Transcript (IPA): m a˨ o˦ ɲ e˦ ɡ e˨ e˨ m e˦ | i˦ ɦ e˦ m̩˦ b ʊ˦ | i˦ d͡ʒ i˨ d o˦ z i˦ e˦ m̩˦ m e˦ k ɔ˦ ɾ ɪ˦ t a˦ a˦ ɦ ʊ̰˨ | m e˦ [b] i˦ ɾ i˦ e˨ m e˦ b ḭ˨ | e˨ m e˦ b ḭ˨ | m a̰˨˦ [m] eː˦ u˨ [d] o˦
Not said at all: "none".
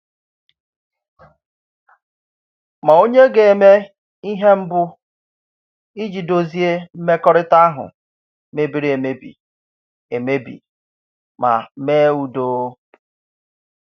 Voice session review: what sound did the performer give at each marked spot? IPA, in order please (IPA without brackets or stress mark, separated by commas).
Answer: b, m, d